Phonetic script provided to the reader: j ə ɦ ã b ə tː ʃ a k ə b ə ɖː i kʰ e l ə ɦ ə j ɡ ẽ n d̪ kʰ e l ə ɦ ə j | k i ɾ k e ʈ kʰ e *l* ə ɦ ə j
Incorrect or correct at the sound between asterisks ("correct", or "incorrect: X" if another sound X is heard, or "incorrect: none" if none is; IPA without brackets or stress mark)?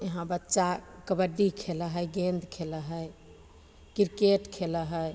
correct